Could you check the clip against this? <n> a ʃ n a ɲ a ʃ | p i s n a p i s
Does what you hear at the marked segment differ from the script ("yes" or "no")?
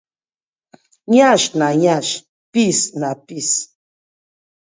yes